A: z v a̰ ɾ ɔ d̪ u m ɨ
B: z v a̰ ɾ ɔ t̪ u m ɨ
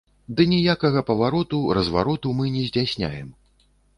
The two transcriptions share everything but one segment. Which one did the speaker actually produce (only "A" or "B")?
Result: B